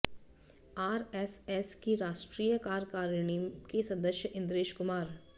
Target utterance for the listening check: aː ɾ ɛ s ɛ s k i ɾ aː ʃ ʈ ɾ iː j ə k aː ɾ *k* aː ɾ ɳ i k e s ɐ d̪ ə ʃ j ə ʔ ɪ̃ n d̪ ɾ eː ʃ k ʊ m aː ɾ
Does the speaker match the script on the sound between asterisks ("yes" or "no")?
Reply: yes